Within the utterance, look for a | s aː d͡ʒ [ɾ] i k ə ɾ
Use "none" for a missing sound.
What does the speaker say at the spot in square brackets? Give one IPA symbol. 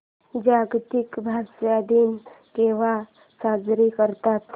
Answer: ɾ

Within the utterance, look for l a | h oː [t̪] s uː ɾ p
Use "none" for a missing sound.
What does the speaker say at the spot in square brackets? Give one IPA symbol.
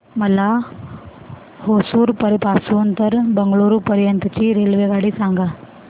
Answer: none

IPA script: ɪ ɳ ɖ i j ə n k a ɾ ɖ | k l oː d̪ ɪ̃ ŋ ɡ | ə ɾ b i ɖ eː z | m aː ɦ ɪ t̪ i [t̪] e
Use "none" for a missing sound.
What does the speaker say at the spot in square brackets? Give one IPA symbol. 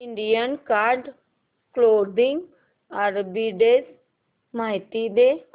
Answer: d̪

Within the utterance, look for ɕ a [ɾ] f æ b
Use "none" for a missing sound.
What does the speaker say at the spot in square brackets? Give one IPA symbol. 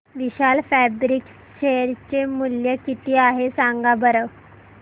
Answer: l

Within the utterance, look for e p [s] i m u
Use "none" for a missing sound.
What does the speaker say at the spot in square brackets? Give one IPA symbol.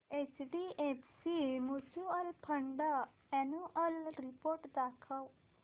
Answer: s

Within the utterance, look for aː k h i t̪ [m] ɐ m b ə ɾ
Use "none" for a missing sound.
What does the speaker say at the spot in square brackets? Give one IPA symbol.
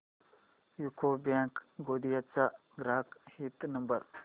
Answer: n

